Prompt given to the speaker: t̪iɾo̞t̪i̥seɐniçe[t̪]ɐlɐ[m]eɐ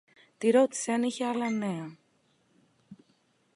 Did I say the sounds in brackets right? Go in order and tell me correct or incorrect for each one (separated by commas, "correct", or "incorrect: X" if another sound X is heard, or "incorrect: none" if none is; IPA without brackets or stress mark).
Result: incorrect: none, incorrect: n